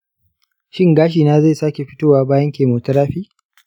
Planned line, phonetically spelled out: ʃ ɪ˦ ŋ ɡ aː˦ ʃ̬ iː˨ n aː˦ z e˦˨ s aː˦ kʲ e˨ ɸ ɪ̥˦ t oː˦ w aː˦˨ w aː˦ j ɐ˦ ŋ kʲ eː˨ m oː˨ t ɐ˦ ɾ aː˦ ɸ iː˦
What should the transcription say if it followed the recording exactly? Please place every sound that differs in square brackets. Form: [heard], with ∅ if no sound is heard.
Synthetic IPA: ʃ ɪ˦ ŋ ɡ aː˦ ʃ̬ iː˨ n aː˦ z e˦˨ s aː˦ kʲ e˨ ɸ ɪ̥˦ t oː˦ w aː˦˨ [b] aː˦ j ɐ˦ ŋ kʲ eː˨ m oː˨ t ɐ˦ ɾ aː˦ ɸ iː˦